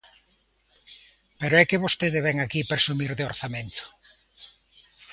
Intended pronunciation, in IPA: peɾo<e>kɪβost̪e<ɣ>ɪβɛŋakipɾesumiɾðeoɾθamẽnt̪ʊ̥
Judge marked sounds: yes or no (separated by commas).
no, no